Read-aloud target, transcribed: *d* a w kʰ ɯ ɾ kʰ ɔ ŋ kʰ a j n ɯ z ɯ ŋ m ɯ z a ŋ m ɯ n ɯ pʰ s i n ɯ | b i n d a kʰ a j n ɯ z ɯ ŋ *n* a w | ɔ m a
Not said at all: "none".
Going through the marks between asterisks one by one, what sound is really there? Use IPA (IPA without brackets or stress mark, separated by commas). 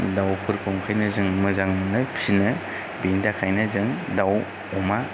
d, d